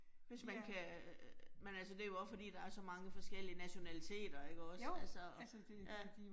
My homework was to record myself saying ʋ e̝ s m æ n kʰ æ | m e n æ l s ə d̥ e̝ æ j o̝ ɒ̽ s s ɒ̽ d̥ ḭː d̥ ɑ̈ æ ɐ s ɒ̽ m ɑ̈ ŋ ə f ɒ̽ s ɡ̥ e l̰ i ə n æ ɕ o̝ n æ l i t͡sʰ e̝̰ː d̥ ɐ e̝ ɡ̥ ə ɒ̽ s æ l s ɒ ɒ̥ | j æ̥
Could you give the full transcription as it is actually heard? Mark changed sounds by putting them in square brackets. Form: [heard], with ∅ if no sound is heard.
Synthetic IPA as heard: ʋ e̝ s m æ n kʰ æ | m e n æ l s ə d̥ e̝ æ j o̝ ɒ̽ s [f] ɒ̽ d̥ ḭː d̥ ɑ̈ æ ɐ s ɒ̽ m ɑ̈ ŋ ə f ɒ̽ s ɡ̥ e l̰ i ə n æ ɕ o̝ n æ l i t͡sʰ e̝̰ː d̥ ɐ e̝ ɡ̥ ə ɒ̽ s æ l s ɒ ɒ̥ | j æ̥